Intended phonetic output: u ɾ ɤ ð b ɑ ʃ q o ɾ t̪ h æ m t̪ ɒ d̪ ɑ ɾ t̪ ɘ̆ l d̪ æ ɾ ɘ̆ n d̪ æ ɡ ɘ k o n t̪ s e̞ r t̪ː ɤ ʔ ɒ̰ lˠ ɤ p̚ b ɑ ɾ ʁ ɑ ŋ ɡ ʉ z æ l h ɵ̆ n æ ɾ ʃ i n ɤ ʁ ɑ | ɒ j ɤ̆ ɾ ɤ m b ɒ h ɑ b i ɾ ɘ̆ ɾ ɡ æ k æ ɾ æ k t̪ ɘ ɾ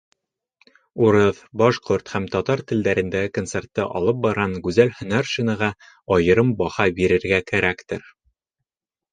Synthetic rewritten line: u ɾ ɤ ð b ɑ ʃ q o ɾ t̪ h æ m t̪ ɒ t̪ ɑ ɾ t̪ ɘ̆ l d̪ æ ɾ ɘ̆ n d̪ æ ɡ ɘ k o n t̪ s e̞ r t̪ː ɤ ʔ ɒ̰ lˠ ɤ p̚ b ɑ ɾ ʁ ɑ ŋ ɡ ʉ z æ l h ɵ̆ n æ ɾ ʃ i n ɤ ʁ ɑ | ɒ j ɤ̆ ɾ ɤ m b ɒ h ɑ b i ɾ ɘ̆ ɾ ɡ æ k æ ɾ æ k t̪ ɘ ɾ